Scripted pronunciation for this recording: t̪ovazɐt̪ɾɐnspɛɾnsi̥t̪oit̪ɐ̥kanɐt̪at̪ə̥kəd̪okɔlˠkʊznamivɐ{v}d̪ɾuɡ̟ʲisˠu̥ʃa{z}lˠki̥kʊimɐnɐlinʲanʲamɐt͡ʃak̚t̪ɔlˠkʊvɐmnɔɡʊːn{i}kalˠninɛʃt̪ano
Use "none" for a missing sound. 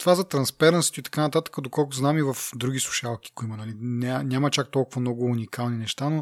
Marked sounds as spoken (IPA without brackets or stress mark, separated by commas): f, none, i